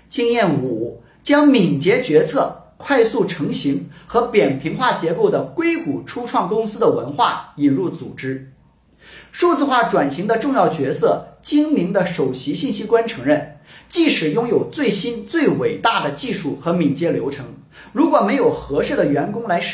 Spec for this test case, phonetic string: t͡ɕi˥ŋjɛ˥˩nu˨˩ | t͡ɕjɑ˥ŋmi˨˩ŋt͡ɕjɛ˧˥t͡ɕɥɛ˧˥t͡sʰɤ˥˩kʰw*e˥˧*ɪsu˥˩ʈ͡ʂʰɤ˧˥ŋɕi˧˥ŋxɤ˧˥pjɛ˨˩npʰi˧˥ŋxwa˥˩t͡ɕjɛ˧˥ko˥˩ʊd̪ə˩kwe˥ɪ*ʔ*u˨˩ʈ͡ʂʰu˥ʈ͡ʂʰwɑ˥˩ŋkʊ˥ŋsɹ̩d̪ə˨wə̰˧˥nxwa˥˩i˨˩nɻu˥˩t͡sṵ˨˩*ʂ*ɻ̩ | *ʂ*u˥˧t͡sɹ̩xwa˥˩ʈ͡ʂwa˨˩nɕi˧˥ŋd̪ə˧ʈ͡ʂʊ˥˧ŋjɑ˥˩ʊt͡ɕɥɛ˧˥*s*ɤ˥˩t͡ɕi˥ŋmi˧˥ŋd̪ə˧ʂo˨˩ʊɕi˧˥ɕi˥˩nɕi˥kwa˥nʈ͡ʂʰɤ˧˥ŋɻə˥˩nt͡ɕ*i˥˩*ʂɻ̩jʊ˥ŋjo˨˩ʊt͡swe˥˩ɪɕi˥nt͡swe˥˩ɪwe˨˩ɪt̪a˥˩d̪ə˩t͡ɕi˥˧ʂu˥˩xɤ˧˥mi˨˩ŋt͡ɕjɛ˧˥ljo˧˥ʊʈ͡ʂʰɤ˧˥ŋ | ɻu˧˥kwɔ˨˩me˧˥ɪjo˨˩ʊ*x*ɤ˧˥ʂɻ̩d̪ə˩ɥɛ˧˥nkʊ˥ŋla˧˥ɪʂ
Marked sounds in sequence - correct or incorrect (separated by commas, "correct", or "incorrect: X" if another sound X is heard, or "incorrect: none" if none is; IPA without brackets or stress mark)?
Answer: incorrect: a˥˧, incorrect: k, incorrect: ʈ͡ʂ, correct, correct, correct, correct